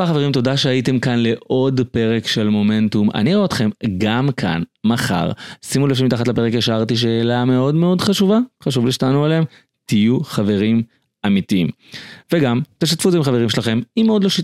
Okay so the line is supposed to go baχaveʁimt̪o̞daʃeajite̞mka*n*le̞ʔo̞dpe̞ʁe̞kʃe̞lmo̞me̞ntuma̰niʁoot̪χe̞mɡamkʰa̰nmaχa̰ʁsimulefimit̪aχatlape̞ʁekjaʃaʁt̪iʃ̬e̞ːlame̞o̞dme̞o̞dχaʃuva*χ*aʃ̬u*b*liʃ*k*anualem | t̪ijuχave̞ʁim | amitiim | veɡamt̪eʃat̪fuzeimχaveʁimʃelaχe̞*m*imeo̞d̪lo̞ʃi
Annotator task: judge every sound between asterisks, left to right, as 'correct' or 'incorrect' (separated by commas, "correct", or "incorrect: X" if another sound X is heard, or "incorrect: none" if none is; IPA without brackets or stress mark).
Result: correct, correct, incorrect: v, incorrect: t, correct